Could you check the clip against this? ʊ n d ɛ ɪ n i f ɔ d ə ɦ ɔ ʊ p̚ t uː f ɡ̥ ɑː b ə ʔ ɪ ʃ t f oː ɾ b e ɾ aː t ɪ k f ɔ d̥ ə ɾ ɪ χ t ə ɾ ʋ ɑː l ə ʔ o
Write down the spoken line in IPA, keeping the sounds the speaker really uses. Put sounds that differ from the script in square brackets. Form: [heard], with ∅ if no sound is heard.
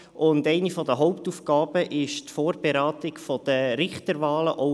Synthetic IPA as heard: ʊ n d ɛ ɪ n i f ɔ d ə ɦ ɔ ʊ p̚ t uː f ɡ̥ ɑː b ə ʔ ɪ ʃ t f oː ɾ b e ɾ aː t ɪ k f ɔ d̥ ə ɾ ɪ χ t ə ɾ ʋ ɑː l ə ʔ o